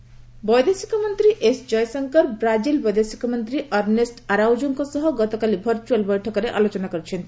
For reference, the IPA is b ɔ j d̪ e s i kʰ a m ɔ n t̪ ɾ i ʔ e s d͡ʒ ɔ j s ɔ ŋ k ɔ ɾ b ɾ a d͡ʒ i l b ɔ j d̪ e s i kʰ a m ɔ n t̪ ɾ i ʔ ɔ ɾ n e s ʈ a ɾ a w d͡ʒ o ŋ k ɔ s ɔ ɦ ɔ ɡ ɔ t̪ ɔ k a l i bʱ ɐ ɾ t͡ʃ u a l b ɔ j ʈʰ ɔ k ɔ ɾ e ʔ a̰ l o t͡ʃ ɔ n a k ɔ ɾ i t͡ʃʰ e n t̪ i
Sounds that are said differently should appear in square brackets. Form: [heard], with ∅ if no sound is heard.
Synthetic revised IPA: b ɔ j d̪ e s i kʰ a m ɔ n t̪ ɾ i ʔ e s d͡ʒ ɔ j s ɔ ŋ k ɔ ɾ b ɾ a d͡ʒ i l b ɔ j d̪ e s i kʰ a m ɔ n t̪ ɾ i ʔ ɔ ɾ n e s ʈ a ɾ a w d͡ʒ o ŋ k ɔ s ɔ ɦ ɔ ɡ ɔ t̪ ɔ k a l i bʱ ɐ ɾ t͡ʃ u a l b ɔ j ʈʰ ɔ k ɔ ɾ e ʔ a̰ l o t͡ʃ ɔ n a k ɔ ɾ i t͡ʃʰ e n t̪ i